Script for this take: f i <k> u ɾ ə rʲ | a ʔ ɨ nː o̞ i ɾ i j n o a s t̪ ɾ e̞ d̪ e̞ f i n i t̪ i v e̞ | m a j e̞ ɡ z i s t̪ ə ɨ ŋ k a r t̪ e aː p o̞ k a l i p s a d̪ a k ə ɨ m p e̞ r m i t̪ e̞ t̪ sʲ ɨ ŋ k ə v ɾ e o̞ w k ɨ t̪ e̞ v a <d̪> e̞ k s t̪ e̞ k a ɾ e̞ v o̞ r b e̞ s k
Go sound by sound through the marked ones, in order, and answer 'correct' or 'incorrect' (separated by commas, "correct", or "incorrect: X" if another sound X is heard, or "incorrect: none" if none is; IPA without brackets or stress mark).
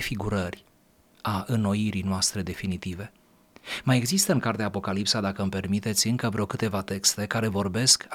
incorrect: ɡ, incorrect: t̪